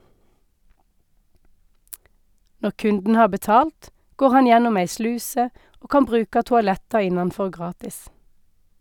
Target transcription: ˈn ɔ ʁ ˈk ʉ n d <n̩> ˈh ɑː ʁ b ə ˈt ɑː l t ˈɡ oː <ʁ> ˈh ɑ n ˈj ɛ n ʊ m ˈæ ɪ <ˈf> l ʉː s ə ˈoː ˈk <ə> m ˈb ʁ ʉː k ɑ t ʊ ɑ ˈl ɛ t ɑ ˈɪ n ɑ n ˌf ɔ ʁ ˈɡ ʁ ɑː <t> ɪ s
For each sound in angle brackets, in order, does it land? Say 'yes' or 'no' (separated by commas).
yes, yes, no, no, yes